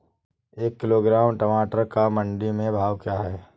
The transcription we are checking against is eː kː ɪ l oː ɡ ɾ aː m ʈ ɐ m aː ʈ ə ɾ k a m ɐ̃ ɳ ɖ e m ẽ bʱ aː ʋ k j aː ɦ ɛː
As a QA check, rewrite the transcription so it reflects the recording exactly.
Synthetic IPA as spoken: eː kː ɪ l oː ɡ ɾ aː m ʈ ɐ m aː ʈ ə ɾ k a m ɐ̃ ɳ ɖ i m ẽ bʱ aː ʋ k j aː ɦ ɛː